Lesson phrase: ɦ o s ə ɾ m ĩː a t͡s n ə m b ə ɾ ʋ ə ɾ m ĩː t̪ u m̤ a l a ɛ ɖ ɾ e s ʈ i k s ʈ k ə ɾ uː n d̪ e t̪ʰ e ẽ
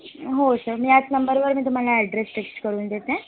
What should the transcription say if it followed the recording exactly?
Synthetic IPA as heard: ɦ o s ə ɾ m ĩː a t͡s n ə m b ə ɾ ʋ ə ɾ m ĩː t̪ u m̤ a l a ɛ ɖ ɾ e s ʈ e k s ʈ k ə ɾ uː n d̪ e t̪ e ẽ